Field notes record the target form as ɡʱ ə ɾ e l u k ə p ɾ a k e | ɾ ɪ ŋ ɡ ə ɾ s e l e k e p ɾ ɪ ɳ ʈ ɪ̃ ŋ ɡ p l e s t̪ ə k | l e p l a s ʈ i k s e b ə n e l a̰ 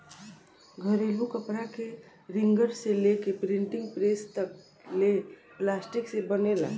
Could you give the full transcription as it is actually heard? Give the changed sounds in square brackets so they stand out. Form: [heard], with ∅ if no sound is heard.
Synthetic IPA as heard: ɡʱ ə ɾ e l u k ə p ɾ a k e | ɾ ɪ ŋ ɡ ə ɾ s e l e k e p ɾ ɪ ɳ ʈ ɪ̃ ŋ ɡ p [ɾ] e s t̪ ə k | l e p l a s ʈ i k s e b ə n e l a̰